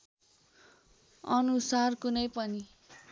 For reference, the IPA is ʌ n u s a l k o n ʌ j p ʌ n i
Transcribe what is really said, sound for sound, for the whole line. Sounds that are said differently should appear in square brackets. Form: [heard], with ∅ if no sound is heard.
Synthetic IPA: ʌ n u s a [r] k [u] n ʌ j p ʌ n i